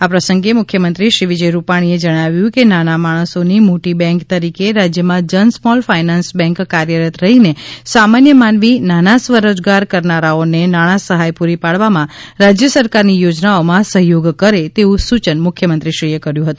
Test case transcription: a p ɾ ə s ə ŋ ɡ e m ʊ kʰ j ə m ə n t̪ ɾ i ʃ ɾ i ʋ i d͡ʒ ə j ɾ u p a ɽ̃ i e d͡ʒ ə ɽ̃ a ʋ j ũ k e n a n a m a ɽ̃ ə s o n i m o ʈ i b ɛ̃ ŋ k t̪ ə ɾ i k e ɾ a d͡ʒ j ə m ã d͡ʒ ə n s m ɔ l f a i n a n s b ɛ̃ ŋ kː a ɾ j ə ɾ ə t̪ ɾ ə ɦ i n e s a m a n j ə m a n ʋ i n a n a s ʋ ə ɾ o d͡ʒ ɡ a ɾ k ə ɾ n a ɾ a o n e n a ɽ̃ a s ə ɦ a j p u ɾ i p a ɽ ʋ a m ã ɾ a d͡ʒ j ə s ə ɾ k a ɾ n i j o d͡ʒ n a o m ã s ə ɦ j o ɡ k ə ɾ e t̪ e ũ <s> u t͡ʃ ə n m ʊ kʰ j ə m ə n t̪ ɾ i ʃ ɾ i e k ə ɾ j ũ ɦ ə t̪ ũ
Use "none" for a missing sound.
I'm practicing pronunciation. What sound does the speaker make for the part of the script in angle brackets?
s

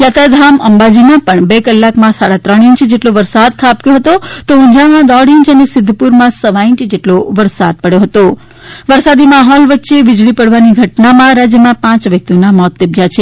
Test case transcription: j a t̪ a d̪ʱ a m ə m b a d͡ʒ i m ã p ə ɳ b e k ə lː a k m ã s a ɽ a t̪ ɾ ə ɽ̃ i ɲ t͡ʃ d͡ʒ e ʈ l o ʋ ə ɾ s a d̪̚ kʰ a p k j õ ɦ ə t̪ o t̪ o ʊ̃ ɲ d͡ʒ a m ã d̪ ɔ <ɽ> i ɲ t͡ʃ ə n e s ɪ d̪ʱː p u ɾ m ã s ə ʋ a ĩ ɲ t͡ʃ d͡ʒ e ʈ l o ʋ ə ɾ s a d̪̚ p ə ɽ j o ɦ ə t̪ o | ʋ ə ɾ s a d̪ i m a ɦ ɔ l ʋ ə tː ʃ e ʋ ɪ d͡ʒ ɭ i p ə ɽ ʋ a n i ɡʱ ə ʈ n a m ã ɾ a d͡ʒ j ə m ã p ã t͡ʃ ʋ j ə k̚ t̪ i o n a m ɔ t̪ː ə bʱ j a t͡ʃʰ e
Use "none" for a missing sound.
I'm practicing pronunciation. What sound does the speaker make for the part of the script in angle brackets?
ɽ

